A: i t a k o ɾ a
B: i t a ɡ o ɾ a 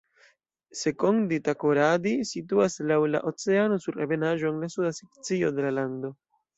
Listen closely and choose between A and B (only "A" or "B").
A